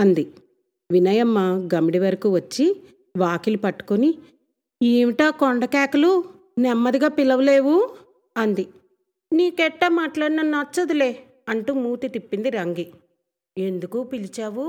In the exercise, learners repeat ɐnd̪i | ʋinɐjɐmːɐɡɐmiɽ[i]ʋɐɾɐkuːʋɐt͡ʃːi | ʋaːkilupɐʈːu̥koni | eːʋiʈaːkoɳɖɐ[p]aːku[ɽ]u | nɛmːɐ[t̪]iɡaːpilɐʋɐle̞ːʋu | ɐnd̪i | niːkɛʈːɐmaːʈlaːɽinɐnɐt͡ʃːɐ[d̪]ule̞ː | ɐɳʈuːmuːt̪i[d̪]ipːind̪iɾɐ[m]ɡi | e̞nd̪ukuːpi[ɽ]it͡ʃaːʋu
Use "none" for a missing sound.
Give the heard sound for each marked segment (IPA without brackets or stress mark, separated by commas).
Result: i, k, l, d̪, d̪, t̪, ŋ, l